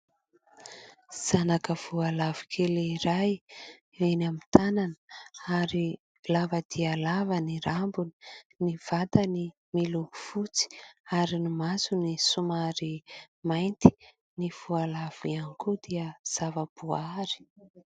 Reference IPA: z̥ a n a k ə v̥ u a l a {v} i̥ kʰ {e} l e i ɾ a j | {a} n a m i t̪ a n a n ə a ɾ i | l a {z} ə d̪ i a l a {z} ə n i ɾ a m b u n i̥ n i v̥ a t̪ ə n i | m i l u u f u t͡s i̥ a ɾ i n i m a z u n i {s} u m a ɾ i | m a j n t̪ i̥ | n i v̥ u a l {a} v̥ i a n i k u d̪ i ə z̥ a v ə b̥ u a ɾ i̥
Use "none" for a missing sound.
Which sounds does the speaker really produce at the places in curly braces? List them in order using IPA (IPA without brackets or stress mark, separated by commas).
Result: v, e, e, v, v, s, a